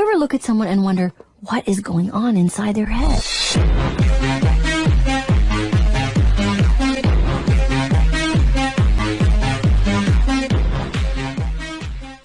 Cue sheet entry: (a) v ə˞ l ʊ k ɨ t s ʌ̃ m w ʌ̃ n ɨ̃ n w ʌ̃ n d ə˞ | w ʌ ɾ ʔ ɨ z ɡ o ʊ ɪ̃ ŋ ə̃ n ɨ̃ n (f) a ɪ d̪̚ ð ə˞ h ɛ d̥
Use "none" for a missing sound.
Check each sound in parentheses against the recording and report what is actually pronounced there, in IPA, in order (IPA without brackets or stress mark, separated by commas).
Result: ɛ, s